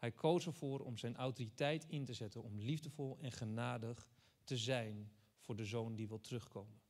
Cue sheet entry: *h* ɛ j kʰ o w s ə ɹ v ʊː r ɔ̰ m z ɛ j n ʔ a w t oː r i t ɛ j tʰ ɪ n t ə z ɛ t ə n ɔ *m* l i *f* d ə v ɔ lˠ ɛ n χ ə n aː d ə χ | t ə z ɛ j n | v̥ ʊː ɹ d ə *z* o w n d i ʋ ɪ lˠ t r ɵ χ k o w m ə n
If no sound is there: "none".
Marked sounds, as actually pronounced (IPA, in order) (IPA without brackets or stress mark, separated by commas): h, m, v, z